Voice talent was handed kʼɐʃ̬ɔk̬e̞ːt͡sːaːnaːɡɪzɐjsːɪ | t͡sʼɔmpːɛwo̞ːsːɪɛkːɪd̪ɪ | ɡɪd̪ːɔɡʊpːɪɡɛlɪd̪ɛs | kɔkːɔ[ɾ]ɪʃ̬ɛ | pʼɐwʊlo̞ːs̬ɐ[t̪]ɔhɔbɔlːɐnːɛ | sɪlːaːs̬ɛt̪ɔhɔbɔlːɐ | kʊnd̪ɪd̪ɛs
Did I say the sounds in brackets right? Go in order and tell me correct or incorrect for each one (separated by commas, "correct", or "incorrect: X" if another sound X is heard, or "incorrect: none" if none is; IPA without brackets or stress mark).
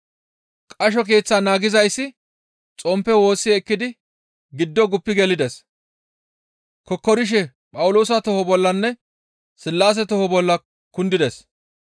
correct, correct